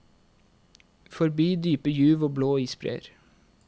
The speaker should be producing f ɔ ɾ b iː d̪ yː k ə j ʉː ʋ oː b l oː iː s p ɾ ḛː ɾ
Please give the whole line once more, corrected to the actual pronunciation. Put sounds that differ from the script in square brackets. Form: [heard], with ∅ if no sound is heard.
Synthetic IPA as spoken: f ɔ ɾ b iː d̪ yː [p] ə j ʉː ʋ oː b l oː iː s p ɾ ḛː ɾ